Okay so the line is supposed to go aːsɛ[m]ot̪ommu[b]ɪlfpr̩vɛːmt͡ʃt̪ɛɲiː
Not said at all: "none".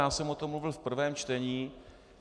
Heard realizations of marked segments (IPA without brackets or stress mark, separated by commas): m, v